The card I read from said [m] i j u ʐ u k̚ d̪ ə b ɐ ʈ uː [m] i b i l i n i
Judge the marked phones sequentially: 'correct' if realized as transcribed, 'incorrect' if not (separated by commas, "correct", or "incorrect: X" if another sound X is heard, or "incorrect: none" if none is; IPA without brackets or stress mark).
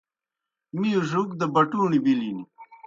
correct, incorrect: ɳ